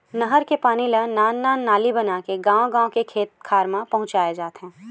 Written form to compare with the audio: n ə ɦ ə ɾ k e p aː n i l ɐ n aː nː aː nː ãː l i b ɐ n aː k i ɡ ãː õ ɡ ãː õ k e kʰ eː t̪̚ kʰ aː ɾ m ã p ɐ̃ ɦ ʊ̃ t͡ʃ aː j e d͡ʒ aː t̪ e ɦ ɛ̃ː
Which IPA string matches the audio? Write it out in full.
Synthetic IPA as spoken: n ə ɦ ə ɾ k e p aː n i l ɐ n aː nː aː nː aː l i b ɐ n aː k e ɡ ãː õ ɡ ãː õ k e kʰ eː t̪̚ kʰ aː ɾ m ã p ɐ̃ ɦ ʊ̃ t͡ʃ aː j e d͡ʒ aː t̪ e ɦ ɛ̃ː